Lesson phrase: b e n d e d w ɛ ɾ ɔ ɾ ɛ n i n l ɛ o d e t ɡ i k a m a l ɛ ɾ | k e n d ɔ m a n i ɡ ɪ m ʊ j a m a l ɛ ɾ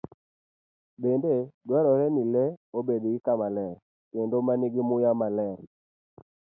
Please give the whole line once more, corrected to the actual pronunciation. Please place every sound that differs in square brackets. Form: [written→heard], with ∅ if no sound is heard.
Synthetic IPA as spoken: b e n d e d w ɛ ɾ ɔ ɾ ɛ n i [n→∅] l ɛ o [d→b] e [t→d] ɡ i k a m a l ɛ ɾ | k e n d [ɔ→o] m a n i ɡ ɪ m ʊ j a m a l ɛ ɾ